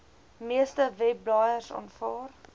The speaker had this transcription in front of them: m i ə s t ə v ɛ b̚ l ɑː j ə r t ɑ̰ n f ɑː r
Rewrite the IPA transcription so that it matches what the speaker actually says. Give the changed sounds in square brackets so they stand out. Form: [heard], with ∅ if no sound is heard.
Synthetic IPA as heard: m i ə s t ə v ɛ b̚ l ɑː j ə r [s] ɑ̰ n f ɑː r